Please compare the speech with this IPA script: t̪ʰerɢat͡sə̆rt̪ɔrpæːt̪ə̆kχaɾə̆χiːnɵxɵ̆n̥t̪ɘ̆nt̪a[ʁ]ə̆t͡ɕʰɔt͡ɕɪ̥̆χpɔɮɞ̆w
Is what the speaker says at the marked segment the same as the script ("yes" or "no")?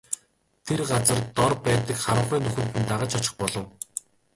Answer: yes